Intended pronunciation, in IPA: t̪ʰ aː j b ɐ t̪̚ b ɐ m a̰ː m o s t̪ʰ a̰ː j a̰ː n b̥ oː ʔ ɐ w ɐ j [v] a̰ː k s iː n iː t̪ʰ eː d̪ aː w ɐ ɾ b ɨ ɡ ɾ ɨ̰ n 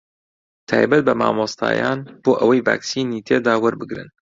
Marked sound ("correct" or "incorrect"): correct